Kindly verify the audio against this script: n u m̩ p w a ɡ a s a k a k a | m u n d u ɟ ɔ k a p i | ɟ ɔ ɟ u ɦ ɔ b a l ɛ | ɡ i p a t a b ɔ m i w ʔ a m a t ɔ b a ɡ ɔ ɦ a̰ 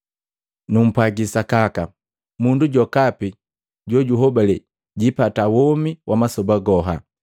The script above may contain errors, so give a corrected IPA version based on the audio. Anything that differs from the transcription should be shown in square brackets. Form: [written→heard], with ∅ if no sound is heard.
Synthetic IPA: n u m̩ p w a ɡ [a→i] s a k a k a | m u n d u ɟ ɔ k a p i | ɟ ɔ ɟ u ɦ ɔ b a l ɛ | [ɡ→ɟ] i p a t a [b→w] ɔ m i w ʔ a m a [t→s] ɔ b a ɡ ɔ ɦ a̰